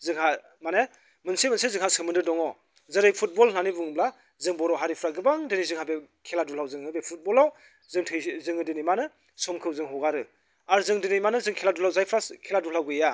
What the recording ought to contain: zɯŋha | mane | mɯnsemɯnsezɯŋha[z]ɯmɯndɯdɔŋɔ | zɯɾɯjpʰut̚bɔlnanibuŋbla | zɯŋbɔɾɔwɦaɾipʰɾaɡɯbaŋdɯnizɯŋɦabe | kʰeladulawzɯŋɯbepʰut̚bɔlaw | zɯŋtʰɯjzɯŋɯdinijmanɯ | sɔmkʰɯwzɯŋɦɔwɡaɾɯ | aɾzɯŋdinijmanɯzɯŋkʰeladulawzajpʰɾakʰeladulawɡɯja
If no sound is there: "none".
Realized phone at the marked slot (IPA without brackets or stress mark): s